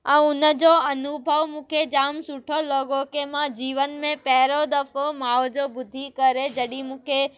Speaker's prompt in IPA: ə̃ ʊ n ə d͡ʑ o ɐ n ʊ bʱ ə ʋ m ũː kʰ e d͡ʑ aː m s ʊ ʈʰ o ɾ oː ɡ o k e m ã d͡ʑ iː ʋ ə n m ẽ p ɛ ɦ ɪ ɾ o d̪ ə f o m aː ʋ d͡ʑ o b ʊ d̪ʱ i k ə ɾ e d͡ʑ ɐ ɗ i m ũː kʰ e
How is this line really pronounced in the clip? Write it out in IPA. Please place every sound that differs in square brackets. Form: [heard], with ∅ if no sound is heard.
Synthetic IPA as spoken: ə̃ ʊ n ə d͡ʑ o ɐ n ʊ bʱ ə ʋ m ũː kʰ e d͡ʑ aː m s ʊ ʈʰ o [l] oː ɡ o k e m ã d͡ʑ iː ʋ ə n m ẽ p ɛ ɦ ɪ ɾ o d̪ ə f o m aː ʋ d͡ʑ o b ʊ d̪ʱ i k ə ɾ e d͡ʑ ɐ ɗ i m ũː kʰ e